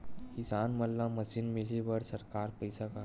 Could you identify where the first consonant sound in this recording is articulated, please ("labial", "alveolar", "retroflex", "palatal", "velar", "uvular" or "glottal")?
velar